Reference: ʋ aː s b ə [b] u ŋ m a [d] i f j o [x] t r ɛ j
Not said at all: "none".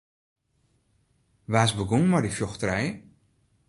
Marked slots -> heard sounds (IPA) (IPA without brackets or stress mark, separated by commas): ɡ, d, x